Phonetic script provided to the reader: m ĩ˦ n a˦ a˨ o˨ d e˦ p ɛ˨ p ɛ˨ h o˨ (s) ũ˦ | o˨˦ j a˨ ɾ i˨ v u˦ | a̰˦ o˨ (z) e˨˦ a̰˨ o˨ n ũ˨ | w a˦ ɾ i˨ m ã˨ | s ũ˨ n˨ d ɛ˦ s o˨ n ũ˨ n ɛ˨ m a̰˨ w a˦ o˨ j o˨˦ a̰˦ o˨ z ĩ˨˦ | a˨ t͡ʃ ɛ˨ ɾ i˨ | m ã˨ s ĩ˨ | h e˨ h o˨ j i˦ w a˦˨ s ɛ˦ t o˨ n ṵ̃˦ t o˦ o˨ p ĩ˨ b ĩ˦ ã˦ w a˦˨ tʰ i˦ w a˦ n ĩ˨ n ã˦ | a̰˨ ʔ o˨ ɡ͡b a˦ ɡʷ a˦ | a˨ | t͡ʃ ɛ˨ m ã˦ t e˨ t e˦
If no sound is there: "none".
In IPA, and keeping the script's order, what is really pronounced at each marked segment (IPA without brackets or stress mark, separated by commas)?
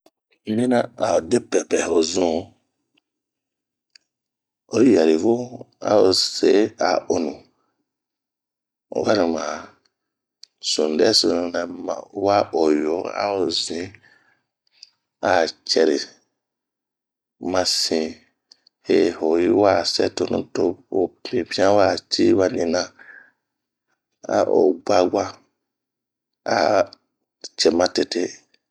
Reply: z, s